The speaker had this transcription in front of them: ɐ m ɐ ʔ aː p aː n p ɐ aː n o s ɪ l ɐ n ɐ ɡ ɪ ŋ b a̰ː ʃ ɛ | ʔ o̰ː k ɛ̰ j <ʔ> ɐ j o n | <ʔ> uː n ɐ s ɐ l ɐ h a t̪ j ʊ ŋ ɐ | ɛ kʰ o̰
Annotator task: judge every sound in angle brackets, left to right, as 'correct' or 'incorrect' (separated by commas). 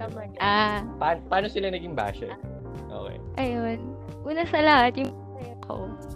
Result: correct, correct